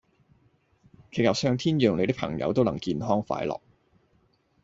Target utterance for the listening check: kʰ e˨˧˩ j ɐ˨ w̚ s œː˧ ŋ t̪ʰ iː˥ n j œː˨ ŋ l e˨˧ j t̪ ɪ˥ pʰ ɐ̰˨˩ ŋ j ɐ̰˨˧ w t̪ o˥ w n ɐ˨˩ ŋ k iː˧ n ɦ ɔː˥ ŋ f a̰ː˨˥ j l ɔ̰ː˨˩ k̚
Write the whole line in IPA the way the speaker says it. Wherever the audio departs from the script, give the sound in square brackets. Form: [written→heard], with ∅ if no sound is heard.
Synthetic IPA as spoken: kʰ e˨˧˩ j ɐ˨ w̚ s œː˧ ŋ t̪ʰ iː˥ n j œː˨ ŋ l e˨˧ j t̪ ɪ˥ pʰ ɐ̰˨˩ ŋ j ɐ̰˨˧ w t̪ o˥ w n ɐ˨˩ ŋ k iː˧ n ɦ ɔː˥ ŋ f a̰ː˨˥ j l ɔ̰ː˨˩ k̚